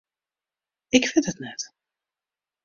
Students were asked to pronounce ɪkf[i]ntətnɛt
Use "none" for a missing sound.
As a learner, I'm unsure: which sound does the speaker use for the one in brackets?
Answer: ɪ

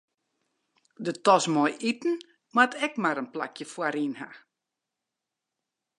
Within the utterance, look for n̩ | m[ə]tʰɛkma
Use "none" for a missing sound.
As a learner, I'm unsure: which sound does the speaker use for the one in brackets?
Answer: a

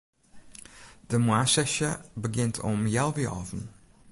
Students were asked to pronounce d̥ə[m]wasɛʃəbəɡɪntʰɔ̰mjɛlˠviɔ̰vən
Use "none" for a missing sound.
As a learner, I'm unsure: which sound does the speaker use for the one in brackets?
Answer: m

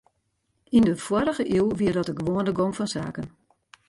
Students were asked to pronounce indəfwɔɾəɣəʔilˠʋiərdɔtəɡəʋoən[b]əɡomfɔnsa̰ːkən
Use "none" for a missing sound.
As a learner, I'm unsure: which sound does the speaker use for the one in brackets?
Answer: d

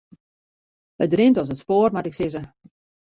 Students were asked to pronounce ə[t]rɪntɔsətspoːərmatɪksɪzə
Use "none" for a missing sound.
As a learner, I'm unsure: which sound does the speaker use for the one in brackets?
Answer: d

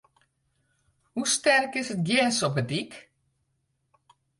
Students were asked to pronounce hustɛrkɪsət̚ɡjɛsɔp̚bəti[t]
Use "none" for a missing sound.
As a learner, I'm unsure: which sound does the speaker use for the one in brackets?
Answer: k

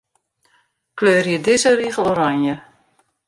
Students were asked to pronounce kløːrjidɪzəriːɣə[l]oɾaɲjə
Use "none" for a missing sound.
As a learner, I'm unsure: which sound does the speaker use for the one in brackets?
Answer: l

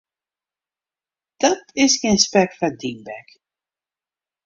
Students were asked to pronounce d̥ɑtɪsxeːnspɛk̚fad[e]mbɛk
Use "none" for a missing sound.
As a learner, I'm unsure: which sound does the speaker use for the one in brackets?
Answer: i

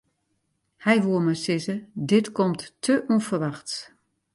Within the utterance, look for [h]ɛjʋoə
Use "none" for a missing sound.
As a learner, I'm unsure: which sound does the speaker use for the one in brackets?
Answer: h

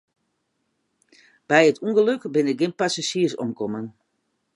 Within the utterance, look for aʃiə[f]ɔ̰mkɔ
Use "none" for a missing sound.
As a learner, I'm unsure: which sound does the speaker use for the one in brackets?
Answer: s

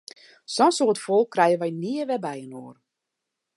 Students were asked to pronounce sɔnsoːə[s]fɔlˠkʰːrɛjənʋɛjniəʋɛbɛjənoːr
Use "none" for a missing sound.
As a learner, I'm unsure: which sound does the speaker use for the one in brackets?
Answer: t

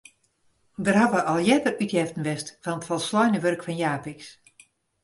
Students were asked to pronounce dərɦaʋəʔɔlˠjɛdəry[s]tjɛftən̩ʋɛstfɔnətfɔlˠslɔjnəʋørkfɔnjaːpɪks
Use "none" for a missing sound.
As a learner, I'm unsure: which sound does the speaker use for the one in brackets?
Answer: none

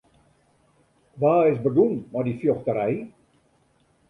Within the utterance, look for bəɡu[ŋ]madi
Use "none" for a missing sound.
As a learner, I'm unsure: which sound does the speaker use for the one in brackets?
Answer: n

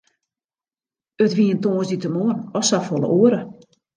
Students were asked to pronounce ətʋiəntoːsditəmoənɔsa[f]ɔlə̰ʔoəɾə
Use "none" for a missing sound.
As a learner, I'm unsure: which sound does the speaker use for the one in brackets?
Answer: f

